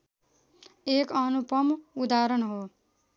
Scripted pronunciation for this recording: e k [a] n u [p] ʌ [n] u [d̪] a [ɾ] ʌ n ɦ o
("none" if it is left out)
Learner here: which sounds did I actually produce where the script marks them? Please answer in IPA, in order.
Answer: ʌ, p, m, d̪, ɾ

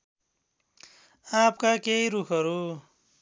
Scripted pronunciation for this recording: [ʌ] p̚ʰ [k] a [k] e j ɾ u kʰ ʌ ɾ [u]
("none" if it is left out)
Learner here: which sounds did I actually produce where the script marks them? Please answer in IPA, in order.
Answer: a, k, k, u

